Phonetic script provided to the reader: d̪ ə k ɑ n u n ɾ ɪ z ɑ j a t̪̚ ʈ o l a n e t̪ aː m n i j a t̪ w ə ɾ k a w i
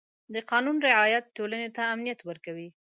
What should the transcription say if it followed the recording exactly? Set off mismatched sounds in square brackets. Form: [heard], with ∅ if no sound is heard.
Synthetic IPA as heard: d̪ ə [q] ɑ n u n ɾ ɪ [ʕ] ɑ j a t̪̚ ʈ o l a n e t̪ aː m n i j a t̪ w ə ɾ k a w i